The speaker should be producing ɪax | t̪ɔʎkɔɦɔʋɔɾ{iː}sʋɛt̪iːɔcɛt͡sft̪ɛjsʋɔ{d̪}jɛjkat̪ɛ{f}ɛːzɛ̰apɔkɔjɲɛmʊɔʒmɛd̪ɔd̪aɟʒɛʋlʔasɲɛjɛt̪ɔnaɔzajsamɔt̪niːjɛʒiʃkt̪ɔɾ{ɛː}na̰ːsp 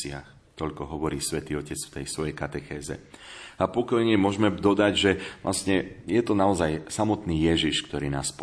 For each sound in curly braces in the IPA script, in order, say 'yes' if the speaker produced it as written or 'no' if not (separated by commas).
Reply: yes, no, no, no